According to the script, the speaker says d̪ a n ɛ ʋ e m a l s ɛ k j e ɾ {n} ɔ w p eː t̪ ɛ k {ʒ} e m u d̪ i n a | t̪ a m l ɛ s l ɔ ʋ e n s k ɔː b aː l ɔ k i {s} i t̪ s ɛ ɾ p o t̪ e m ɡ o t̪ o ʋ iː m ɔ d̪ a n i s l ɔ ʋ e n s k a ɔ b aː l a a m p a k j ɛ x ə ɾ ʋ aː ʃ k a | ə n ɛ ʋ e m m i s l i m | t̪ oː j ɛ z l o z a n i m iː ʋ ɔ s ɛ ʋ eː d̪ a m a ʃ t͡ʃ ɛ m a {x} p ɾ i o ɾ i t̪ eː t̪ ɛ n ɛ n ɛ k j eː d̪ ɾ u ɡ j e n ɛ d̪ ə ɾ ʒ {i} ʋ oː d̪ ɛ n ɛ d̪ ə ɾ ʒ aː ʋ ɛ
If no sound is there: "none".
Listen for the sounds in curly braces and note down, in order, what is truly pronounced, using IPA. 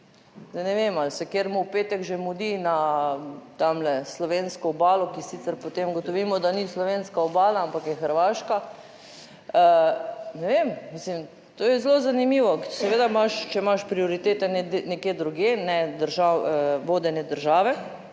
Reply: m, ʒ, s, ʃ, a

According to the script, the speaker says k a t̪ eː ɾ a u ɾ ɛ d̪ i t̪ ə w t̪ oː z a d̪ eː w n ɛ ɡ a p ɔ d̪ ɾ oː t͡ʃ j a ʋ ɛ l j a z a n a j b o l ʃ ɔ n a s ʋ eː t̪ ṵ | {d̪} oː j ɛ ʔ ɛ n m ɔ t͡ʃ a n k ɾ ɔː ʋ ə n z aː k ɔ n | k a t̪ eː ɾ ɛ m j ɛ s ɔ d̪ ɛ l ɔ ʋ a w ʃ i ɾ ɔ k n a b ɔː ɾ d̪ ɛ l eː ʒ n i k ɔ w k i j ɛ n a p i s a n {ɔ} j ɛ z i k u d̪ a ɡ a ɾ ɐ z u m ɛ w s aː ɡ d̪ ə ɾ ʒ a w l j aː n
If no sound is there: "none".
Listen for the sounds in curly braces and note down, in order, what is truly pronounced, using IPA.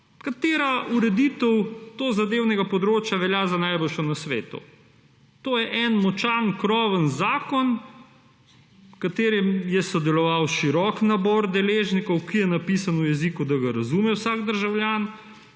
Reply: t̪, u

